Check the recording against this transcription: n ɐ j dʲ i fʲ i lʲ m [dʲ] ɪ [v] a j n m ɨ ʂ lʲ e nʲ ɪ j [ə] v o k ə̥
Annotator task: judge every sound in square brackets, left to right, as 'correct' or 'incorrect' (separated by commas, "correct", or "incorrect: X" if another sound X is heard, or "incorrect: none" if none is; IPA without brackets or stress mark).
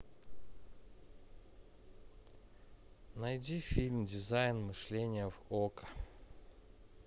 correct, incorrect: z, correct